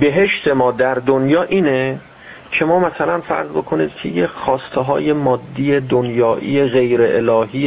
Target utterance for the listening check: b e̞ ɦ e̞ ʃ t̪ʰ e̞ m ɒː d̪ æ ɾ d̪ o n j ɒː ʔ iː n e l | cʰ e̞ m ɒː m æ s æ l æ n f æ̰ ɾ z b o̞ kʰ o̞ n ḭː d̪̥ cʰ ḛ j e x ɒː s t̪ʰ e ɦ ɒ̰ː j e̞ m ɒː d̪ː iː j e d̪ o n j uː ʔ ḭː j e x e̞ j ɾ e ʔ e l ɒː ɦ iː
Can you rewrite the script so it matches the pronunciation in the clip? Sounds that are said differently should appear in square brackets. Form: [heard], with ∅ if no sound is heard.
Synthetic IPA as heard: b e̞ ɦ e̞ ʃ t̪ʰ e̞ m ɒː d̪ æ ɾ d̪ o n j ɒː ʔ iː n e [∅] | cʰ e̞ m ɒː m æ s æ l æ n f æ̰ ɾ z b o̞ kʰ o̞ n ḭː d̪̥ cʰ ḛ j e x ɒː s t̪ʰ e ɦ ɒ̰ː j e̞ m ɒː d̪ː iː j e d̪ o n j [ɒː] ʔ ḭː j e [ɣ] e̞ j ɾ e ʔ e l ɒː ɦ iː